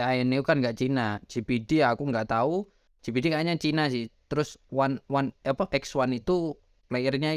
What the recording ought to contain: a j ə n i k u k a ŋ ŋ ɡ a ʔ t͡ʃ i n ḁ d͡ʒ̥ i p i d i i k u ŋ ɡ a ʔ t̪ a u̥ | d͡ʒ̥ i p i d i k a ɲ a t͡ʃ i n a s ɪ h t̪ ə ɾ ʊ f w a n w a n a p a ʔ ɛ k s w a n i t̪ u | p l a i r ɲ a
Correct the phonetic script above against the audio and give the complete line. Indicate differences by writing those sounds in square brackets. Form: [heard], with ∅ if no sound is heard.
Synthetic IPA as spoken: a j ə n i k u k a [n] ŋ ɡ a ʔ t͡ʃ i n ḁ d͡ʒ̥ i p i d i [a] k u ŋ ɡ a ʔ t̪ a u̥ | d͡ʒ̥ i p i d i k a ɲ a t͡ʃ i n a s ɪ h t̪ ə ɾ ʊ [s] w a n w a n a p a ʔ ɛ k s w a n i t̪ u | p l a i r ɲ a